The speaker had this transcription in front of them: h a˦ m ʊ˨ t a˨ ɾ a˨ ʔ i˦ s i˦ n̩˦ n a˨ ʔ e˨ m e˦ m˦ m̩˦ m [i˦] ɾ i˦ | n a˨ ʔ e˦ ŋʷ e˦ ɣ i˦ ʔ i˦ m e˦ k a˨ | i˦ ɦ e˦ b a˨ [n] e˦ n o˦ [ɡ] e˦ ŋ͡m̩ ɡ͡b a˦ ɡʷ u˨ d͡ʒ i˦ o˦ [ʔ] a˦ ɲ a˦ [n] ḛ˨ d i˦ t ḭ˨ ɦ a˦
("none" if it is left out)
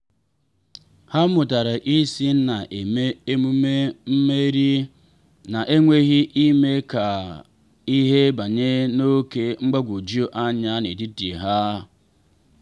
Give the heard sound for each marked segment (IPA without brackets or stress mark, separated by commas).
e˦, ɲ, k, ʔ, n